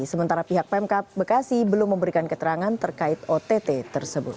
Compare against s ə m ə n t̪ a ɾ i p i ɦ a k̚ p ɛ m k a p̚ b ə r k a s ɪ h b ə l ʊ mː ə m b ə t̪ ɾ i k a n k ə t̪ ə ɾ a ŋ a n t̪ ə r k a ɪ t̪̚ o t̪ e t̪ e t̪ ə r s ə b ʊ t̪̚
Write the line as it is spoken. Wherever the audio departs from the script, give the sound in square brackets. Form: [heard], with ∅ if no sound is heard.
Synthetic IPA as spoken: s ə m ə n t̪ a ɾ [a] p i ɦ a k̚ p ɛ m k a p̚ b ə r k a s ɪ h b ə l ʊ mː ə m b ə [∅] ɾ i k a n k ə t̪ ə ɾ a ŋ a n t̪ ə r k a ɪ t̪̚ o t̪ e t̪ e t̪ ə r s ə b ʊ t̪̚

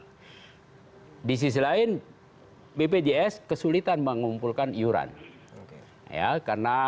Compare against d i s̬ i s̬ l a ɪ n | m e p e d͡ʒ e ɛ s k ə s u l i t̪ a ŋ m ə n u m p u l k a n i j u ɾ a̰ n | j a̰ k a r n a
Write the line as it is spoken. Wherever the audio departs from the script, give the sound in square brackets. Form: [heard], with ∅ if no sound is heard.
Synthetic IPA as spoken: d i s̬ i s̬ l a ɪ n | [b] e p e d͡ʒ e ɛ s k ə s u l i t̪ a [n] m ə [ŋ] u m p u l k a n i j u ɾ a̰ n | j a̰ k a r n a

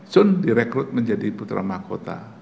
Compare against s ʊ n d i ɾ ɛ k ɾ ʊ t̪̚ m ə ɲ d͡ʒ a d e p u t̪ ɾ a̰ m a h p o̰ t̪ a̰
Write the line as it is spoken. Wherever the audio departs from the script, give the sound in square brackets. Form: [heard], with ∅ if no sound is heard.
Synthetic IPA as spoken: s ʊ n d i ɾ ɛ k ɾ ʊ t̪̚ m ə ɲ d͡ʒ a d [i] p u t̪ ɾ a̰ m a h [k] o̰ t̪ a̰

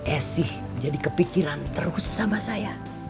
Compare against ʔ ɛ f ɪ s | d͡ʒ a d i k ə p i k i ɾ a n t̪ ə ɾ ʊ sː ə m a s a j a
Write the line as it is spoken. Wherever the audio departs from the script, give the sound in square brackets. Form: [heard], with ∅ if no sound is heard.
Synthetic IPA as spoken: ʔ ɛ [s] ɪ [h] | d͡ʒ a d i k ə p i k i ɾ a n t̪ ə ɾ ʊ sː [a] m a s a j a

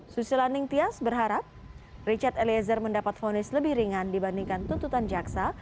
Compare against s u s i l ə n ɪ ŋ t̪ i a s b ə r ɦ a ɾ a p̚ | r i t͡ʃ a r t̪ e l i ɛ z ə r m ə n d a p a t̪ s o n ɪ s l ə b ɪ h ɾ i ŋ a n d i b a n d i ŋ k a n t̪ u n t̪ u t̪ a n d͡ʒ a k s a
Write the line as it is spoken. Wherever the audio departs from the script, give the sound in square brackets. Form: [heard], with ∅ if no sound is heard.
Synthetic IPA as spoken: s u s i l [a] n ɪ ŋ t̪ i a s b ə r ɦ a ɾ a p̚ | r i t͡ʃ a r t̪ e l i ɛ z ə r m ə n d a p a t̪ [f] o n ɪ s l ə b ɪ h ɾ i ŋ a n d i b a n d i ŋ k a n t̪ u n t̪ u t̪ a n d͡ʒ a k s a

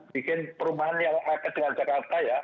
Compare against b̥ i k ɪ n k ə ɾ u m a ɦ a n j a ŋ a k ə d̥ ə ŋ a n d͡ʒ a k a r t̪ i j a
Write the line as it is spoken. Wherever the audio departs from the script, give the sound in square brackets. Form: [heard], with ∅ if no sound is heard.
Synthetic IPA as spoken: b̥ i k ɪ n [p] ə ɾ u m a ɦ a n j a ŋ a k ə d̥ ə ŋ a n d͡ʒ a k a r t̪ [a] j a

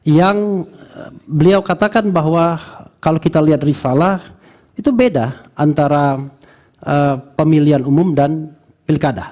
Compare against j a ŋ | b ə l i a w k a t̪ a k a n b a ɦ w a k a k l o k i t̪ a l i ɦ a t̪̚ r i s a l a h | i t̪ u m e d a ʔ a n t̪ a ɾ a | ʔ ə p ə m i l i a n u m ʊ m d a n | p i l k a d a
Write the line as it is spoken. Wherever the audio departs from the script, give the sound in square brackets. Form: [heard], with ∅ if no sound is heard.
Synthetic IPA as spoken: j a ŋ | b ə l i a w k a t̪ a k a n b a ɦ w a k a [∅] l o k i t̪ a l i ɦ a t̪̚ r i s a l a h | i t̪ u [b] e d a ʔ a n t̪ a ɾ a | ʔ ə p ə m i l i a n u m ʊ m d a n | p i l k a d a

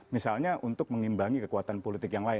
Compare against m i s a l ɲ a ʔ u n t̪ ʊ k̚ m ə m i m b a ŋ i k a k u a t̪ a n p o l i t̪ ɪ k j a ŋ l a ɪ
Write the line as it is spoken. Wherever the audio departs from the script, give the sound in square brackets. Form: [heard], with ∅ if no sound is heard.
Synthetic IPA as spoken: m i s a l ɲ a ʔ u n t̪ ʊ k̚ m ə [ŋ] i m b a ŋ i k [ə] k u a t̪ a n p o l i t̪ ɪ k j a ŋ l a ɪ

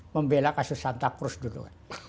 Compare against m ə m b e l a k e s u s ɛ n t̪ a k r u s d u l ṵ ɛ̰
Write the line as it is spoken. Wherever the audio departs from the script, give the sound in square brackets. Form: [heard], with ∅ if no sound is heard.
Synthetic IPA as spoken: m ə m b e l a k [a] s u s [a] n t̪ a k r u s d u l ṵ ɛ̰

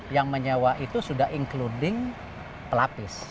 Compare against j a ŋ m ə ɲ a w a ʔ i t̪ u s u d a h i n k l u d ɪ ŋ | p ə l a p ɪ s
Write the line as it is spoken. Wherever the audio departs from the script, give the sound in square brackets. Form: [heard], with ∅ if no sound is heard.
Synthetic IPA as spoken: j a ŋ m ə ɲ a w a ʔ i t̪ u s u d a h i [ŋ] k l u d ɪ ŋ | p ə l a p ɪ s

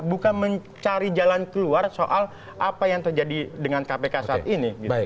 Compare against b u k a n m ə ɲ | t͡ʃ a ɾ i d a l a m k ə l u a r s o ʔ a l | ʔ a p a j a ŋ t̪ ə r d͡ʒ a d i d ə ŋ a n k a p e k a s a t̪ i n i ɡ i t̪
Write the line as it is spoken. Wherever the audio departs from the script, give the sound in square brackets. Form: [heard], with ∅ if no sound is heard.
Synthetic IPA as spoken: b u k a n m ə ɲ | t͡ʃ a ɾ i [d͡ʒ] a l a [n] k ə l u a r s o ʔ a l | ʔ a p a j a ŋ t̪ ə r d͡ʒ a d i d ə ŋ a n k a p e k a s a t̪ i n i ɡ i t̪

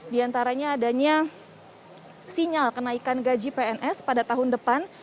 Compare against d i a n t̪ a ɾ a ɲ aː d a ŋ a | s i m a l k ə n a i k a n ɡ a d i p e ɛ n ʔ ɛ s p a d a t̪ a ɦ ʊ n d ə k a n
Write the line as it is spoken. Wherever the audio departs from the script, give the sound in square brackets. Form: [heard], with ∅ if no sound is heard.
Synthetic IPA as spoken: d i a n t̪ a ɾ a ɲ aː d a [ɲ] a | s i [ɲ] a l k ə n a i k a n ɡ a [d͡ʒ] i p e ɛ n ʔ ɛ s p a d a t̪ a ɦ ʊ n d ə [p] a n

